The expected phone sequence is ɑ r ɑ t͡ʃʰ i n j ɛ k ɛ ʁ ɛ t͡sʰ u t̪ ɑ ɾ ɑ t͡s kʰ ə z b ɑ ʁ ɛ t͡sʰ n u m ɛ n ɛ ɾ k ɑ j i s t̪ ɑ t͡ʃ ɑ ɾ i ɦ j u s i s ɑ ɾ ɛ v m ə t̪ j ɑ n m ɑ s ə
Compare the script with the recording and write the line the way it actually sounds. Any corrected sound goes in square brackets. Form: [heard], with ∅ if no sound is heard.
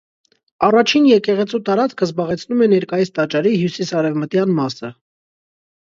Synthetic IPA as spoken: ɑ r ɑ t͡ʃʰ i n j ɛ k ɛ ʁ ɛ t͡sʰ u t̪ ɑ ɾ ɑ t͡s kʰ ə z b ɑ ʁ ɛ t͡sʰ n u m ɛ n ɛ ɾ k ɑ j i s t̪ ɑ t͡ʃ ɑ ɾ i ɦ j u s i s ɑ ɾ ɛ v m ə t̪ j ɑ n m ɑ s ə